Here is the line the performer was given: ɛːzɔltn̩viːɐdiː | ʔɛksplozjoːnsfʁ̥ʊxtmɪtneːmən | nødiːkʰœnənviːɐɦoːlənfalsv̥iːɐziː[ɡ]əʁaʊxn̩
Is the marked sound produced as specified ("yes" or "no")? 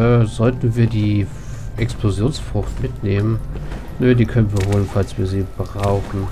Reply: no